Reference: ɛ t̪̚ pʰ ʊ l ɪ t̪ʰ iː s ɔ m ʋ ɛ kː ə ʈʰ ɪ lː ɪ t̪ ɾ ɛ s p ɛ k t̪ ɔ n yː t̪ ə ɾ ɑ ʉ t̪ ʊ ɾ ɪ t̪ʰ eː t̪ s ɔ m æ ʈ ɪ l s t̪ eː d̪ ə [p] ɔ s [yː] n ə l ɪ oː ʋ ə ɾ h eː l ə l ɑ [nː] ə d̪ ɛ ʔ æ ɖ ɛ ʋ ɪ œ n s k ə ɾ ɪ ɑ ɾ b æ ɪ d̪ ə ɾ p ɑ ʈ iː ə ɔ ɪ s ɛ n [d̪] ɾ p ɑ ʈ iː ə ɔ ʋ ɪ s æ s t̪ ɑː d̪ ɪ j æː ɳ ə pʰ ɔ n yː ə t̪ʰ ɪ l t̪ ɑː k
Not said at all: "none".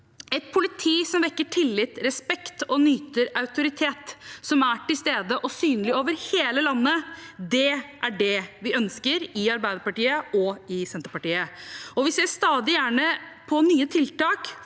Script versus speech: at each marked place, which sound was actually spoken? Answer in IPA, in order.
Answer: ʔ, yː, nː, t̪

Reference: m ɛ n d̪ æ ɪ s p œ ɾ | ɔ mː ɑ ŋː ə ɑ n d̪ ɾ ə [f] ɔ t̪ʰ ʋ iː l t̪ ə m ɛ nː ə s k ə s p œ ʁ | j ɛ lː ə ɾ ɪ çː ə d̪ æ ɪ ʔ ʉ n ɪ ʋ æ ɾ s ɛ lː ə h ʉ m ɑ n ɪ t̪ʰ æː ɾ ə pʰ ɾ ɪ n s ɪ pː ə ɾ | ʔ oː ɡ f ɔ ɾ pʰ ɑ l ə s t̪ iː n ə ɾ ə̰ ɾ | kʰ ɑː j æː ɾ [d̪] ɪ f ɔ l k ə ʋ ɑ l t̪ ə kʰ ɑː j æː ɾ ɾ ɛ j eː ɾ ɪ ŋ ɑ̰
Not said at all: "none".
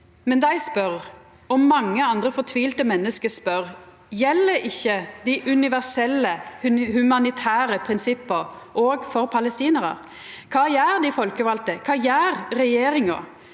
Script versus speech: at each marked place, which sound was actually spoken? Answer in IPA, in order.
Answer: f, d̪

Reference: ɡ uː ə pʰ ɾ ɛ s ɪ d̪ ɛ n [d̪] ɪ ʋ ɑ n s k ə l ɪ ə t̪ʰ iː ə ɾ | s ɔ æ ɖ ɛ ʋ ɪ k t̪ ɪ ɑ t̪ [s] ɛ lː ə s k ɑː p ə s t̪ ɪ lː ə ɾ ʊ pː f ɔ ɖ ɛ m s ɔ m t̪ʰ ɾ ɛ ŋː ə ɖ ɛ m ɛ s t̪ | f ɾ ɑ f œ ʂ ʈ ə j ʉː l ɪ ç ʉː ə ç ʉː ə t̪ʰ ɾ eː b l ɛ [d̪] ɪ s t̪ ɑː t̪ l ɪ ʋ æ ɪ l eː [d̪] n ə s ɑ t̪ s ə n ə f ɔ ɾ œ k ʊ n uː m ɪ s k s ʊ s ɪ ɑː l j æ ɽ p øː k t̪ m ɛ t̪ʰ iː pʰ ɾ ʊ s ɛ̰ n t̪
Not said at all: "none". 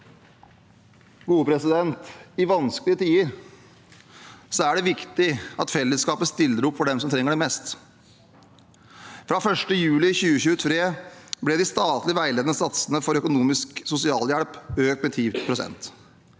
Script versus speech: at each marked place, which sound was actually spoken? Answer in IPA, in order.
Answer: t̪, f, d̪, d̪

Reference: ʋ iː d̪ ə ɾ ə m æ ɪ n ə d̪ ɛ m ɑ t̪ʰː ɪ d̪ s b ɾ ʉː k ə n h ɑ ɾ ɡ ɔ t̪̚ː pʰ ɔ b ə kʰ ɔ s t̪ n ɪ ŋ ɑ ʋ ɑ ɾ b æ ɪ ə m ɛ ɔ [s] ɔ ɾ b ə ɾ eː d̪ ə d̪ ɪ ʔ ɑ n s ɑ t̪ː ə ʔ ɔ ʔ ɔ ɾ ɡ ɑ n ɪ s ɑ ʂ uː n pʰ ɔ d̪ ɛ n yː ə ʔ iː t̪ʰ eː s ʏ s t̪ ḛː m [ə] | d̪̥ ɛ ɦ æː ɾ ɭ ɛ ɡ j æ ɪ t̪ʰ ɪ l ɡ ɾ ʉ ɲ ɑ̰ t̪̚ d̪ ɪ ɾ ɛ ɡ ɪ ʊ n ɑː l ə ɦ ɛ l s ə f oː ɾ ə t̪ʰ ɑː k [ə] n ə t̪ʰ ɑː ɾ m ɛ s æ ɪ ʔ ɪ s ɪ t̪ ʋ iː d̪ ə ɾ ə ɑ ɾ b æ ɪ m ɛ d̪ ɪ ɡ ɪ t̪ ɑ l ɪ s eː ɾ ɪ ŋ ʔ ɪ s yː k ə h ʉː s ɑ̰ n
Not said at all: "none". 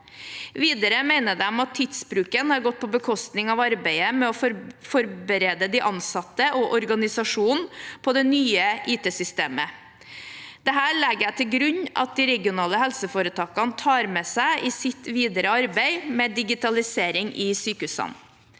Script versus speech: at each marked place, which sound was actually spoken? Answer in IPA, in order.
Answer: f, ə, ɑ

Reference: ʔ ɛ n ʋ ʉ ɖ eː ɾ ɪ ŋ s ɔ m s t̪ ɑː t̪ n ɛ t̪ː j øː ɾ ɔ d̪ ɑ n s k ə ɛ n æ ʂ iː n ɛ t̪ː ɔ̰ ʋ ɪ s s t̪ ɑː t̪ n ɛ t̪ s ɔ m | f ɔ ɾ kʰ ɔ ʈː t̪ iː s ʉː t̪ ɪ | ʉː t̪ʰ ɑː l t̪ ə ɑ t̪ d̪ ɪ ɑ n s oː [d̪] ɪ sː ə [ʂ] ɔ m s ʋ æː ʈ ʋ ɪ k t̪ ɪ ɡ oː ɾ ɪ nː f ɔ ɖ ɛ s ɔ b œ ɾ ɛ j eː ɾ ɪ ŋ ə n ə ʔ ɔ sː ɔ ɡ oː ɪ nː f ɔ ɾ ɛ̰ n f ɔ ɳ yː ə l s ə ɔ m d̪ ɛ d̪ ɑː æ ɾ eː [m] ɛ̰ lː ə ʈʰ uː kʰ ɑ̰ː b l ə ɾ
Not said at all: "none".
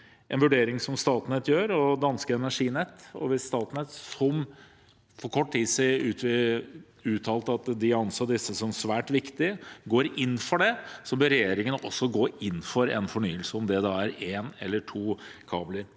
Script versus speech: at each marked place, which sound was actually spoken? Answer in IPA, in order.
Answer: d̪, s, n

